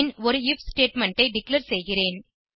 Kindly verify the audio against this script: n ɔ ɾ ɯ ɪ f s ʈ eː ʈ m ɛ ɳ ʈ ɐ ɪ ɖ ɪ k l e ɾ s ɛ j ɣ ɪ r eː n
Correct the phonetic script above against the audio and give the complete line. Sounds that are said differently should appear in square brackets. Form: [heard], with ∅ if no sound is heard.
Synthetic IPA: n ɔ ɾ ɯ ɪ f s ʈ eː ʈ m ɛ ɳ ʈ ɐ ɪ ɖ ɪ k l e ɾ s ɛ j ɣ ɪ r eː n